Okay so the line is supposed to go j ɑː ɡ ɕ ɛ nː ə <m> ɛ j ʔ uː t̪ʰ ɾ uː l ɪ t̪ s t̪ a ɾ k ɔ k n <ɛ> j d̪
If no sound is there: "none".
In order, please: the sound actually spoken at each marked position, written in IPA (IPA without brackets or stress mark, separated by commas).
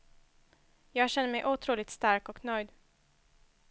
m, œ